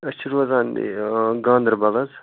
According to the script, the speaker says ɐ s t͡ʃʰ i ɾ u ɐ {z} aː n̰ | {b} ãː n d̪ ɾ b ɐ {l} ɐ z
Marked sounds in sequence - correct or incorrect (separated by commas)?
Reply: correct, incorrect, correct